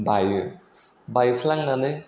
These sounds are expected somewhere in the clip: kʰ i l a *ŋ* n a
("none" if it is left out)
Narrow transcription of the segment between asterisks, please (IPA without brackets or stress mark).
ŋ